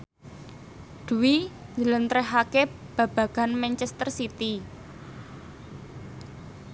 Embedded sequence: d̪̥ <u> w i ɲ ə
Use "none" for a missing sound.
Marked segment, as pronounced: u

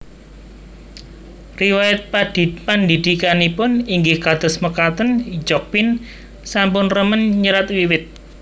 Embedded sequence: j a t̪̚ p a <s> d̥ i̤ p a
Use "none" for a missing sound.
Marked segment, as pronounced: none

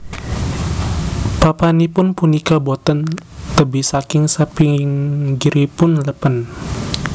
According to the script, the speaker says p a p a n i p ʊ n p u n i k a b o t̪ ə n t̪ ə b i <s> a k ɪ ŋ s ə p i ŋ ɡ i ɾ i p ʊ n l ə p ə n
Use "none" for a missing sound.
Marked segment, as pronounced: s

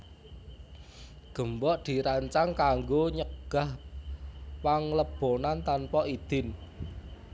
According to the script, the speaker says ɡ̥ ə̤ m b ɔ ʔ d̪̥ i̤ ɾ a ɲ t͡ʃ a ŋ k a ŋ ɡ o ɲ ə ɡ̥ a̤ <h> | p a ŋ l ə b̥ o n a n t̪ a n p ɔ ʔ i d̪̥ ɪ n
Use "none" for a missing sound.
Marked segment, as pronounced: h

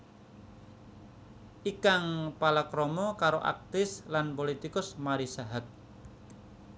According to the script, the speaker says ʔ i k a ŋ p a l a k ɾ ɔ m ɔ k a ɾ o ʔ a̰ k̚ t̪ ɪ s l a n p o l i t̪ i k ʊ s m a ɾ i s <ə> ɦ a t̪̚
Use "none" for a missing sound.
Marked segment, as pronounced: a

